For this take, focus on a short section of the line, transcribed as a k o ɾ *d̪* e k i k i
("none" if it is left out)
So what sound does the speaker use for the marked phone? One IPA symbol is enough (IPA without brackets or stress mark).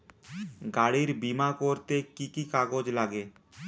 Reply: t̪